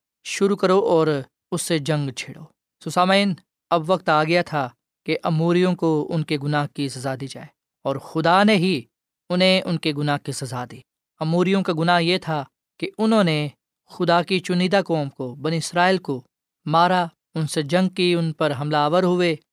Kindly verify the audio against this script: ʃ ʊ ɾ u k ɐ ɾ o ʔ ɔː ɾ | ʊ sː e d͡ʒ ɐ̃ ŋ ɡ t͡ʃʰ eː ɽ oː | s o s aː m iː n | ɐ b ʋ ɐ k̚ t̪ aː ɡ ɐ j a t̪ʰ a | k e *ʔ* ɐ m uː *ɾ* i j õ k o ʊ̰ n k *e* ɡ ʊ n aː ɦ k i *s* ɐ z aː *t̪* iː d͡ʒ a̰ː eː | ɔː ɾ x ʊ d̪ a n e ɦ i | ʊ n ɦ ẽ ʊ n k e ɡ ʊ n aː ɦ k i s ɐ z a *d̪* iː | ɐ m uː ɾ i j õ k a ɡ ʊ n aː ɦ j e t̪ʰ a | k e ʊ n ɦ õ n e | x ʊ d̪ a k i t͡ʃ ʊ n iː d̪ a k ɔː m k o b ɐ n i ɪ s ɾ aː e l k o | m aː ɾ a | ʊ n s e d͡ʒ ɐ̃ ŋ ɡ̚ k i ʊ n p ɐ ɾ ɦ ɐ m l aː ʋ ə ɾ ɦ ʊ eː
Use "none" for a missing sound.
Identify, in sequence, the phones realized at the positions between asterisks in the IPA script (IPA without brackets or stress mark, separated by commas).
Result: ʔ, ɾ, e, s, d̪, d̪